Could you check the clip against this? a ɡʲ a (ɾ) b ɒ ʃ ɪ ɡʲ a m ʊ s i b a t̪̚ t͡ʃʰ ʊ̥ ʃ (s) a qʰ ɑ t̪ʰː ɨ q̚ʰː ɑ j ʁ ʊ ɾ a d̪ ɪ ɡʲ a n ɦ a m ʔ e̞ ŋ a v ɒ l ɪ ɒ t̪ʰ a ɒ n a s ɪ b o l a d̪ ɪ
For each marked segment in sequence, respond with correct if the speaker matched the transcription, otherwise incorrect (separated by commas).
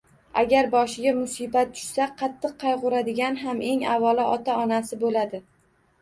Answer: correct, correct